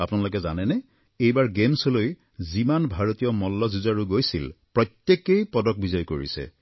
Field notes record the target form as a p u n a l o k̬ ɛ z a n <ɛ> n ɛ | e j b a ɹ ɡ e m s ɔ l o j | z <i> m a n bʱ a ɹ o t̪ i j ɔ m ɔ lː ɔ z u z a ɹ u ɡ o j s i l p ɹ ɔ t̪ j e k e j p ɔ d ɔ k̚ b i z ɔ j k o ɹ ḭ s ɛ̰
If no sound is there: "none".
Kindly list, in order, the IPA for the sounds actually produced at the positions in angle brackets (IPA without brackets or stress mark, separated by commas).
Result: ɛ, i